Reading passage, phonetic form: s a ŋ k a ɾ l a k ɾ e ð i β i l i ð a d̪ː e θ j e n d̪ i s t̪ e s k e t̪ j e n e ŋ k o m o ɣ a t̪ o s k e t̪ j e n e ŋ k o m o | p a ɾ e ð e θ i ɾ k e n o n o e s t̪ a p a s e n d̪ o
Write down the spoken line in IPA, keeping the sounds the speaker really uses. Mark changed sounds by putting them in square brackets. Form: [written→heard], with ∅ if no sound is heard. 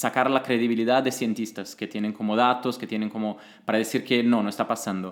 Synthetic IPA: s a [ŋ→∅] k a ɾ l a k ɾ e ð i β i l i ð a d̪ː e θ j e n [d̪→t̪] i s t̪ [e→a] s k e t̪ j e n e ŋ k o m o [ɣ→ð] a t̪ o s k e t̪ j e n e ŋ k o m o | p a ɾ [e→a] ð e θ i ɾ k e n o n o e s t̪ a p a s [e→a] n d̪ o